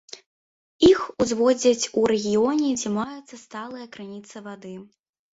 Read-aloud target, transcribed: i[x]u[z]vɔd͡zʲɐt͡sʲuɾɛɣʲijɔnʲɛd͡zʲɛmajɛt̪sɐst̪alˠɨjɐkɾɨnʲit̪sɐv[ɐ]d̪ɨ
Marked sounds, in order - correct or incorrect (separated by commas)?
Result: correct, correct, incorrect